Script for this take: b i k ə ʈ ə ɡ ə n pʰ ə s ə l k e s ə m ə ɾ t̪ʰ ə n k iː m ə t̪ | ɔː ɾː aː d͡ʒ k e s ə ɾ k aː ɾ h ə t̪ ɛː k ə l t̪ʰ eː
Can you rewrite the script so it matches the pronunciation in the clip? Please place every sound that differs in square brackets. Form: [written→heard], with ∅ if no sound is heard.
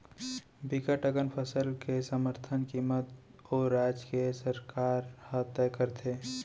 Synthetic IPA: b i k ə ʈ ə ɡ ə n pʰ ə s ə l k e s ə m ə ɾ t̪ʰ ə n k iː m ə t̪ | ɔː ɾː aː d͡ʒ k e s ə ɾ k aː ɾ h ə t̪ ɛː k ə [l→ɾ] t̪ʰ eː